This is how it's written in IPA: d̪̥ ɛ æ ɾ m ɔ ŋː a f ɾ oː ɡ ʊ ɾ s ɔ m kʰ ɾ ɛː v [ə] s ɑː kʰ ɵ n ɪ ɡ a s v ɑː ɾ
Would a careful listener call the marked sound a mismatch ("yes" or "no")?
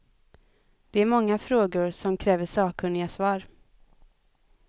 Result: no